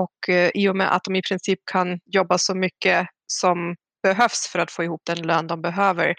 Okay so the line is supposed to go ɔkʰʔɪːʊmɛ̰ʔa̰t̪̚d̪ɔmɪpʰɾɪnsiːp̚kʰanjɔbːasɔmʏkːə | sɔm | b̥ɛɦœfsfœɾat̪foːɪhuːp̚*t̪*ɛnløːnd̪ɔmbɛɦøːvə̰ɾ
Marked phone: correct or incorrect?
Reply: incorrect